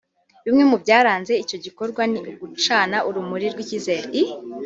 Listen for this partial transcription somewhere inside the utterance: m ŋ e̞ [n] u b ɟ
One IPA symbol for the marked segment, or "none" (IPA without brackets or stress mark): m